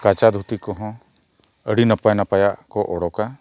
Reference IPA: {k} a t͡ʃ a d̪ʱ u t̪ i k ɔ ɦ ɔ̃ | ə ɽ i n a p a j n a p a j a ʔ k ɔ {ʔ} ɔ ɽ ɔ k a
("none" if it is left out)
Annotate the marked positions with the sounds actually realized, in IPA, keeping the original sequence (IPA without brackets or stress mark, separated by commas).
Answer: k, ʔ